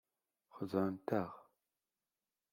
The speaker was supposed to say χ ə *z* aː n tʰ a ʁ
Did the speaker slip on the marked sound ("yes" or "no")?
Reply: no